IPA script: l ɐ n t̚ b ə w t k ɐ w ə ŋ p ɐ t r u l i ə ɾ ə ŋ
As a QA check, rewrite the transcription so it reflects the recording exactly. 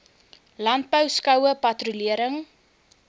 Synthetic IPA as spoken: l ɐ n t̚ b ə w s k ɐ w ə p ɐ t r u l i ə ɾ ə ŋ